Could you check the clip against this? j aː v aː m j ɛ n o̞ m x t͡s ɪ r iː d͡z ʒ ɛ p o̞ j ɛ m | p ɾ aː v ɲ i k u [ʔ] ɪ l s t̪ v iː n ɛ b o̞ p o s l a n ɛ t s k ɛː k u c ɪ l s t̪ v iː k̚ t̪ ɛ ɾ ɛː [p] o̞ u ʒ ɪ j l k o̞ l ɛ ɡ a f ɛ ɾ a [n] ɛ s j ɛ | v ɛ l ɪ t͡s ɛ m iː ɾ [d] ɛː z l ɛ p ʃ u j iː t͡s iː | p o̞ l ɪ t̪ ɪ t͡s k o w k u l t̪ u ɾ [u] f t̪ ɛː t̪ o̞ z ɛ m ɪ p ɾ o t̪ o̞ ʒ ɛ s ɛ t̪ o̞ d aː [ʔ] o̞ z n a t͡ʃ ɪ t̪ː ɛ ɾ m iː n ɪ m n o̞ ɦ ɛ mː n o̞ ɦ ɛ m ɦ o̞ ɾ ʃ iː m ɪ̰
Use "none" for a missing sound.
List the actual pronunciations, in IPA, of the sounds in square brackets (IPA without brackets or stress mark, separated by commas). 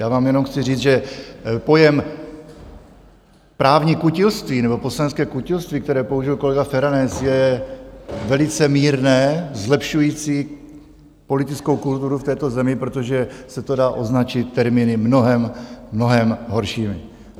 c, p, n, n, u, ʔ